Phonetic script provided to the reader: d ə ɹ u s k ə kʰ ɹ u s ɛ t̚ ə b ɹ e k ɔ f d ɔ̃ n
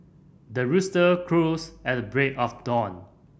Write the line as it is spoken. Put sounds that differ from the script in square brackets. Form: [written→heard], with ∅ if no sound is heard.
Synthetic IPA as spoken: d ə ɹ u s [k→t] ə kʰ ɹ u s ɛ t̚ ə b ɹ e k ɔ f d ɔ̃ n

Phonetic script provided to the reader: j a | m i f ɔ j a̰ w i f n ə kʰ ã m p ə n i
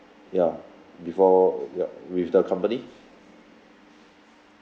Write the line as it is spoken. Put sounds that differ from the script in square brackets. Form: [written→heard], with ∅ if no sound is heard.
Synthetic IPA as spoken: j a | [m→b] i f ɔ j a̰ w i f [n→d] ə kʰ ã m p ə n i

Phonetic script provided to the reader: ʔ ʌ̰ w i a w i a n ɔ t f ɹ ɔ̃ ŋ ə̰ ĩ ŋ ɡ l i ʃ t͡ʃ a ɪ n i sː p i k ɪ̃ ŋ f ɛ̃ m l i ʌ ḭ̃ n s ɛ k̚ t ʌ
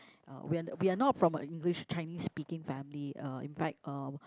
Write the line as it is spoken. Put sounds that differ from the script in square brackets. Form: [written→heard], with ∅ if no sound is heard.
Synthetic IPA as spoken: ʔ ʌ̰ w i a w i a n ɔ t f ɹ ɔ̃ [ŋ→m] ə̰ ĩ ŋ ɡ l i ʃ t͡ʃ a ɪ n i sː p i k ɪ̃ ŋ f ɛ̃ m l i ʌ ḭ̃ n [s→f] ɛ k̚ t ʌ

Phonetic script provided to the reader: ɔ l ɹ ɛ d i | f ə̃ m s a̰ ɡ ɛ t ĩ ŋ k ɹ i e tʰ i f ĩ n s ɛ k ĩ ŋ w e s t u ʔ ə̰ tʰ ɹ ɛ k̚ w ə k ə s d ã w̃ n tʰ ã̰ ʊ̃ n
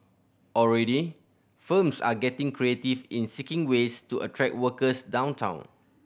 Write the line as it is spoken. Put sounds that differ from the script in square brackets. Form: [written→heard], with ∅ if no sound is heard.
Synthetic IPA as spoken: ɔ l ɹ ɛ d i | f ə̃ m s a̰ ɡ ɛ t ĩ ŋ k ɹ i e [tʰ→t] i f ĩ n s [ɛ→i] k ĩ ŋ w e s t u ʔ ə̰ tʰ ɹ ɛ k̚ w ə k ə s d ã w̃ n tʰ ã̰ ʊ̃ n

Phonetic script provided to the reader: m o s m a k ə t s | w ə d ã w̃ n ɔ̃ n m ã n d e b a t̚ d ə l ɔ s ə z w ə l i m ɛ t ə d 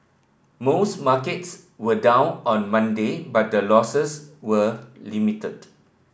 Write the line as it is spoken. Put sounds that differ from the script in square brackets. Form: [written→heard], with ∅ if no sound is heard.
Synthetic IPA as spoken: m o s m a k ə t s | w ə d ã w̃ n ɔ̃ n m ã n d e b a t̚ d ə l ɔ s ə [z→s] w ə l i m [ɛ→i] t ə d

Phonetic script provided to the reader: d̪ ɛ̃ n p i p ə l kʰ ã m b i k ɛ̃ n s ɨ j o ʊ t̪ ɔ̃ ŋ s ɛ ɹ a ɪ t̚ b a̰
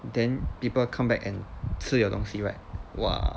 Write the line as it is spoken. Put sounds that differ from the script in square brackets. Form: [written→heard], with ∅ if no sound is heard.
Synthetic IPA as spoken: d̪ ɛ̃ n p i p ə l kʰ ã m b [i→ɛ] k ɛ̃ n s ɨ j o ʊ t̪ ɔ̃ ŋ s [ɛ→i] ɹ a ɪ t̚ [b→w] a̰

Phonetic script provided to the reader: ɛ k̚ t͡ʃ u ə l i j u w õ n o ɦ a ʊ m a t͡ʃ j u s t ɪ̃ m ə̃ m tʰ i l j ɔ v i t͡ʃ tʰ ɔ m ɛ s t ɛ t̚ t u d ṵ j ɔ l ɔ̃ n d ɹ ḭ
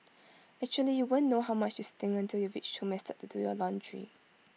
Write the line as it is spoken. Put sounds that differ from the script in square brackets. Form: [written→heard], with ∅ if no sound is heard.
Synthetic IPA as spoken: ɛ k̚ t͡ʃ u ə l i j u w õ [n→nː] o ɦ a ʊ m a t͡ʃ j u s t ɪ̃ [m→ŋ] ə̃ [m→n] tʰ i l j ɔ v i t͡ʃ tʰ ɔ m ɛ s t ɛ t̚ t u d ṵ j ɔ l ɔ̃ n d ɹ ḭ

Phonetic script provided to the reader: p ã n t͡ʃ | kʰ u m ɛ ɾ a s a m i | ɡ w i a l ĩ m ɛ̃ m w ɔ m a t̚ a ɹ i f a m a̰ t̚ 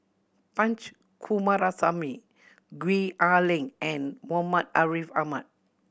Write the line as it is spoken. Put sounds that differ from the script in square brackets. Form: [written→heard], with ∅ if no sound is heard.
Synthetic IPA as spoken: p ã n t͡ʃ | kʰ u m [ɛ→a] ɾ a s a m i | ɡ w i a l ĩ [m→ŋ] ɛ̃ [m→n] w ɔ m a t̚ a ɹ i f a m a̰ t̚

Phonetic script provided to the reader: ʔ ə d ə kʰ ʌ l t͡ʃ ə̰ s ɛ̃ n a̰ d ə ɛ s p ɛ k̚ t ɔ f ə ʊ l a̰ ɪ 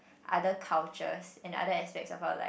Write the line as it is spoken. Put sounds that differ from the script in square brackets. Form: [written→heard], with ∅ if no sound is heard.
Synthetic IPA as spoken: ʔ [ə→a] d ə kʰ [ʌ→a] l t͡ʃ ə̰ s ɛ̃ n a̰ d ə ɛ s p ɛ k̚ [t→s] ɔ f [ə→a] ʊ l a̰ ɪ

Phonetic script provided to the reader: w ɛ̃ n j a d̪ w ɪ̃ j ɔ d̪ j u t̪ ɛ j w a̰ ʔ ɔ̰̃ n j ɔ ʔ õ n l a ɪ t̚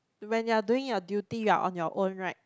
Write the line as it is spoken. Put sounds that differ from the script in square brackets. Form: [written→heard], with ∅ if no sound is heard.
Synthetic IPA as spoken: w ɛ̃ n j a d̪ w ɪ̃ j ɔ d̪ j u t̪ [ɛ→i] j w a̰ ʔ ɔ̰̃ n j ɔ ʔ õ n [l→ɹ] a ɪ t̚

